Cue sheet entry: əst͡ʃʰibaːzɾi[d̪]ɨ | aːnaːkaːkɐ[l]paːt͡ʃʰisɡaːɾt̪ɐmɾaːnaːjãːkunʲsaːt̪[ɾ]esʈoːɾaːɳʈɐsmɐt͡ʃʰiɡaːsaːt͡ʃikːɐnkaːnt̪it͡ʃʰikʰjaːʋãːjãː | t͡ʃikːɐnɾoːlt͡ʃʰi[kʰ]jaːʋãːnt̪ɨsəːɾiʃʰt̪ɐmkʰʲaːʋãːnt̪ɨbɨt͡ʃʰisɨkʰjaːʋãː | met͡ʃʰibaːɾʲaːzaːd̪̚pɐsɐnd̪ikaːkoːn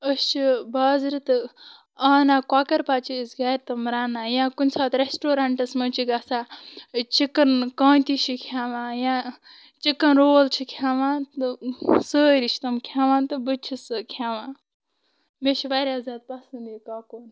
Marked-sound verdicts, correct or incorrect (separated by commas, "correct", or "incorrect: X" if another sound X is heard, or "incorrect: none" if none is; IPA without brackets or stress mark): incorrect: t̪, incorrect: ɾ, correct, correct